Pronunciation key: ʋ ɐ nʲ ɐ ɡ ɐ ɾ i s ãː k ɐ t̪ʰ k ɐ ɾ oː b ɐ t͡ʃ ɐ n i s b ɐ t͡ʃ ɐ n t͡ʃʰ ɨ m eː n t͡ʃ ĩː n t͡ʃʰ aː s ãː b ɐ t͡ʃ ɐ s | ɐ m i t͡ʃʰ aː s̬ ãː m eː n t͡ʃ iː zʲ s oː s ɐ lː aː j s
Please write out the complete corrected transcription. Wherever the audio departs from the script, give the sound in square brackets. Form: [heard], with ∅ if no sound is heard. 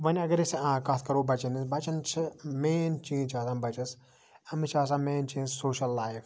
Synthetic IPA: ʋ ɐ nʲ ɐ ɡ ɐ ɾ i s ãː k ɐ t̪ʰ k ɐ ɾ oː b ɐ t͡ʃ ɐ n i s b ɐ t͡ʃ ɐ n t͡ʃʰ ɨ m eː n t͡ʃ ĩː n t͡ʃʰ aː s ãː b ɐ t͡ʃ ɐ s | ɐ m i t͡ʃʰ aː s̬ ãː m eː n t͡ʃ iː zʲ s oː [ʃ] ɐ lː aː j [f]